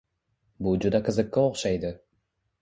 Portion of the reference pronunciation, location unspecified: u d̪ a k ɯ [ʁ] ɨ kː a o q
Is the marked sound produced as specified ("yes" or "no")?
no